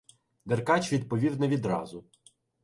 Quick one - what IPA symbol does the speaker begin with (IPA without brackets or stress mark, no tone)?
d̪